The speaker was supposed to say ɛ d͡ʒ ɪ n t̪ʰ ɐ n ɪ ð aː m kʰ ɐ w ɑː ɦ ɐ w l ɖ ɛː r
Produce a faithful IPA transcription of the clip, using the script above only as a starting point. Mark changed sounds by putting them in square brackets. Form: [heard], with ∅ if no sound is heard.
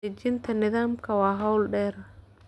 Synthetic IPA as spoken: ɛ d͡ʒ ɪ n t̪ʰ ɐ n ɪ ð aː m kʰ ɐ w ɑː ɦ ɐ w l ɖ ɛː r